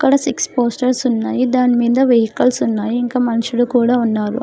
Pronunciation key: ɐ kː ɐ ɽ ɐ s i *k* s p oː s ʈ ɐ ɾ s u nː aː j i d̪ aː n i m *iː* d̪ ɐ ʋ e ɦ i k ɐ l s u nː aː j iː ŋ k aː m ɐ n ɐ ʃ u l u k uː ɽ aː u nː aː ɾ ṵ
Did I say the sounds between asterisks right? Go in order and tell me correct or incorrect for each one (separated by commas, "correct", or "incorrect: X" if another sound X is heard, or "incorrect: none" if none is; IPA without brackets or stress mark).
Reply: correct, correct